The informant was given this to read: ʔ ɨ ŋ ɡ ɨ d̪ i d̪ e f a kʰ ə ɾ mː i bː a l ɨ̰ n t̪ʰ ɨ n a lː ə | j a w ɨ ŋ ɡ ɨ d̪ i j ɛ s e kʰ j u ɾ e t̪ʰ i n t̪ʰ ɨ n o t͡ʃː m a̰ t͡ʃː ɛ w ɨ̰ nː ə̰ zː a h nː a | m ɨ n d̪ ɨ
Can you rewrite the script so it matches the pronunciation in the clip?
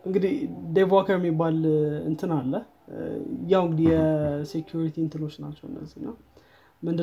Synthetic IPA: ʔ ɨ ŋ ɡ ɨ d̪ i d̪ e v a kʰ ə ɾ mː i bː a l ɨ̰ n t̪ʰ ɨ n a lː ə | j a w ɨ ŋ ɡ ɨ d̪ i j ɛ s e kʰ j u ɾ i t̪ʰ i n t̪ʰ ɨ n o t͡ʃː n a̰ t͡ʃː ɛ w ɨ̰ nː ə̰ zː i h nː a | m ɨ n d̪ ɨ